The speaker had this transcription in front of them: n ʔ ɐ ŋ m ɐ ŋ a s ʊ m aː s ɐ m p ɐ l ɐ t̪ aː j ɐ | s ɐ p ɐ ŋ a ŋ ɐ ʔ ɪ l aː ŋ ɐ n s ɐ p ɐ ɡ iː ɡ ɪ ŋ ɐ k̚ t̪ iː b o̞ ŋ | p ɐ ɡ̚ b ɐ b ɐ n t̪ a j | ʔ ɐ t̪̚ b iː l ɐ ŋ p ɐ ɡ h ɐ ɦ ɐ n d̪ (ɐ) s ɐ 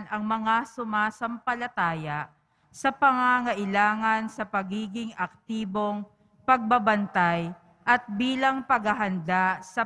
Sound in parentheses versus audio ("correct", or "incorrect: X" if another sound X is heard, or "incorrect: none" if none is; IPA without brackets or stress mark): incorrect: a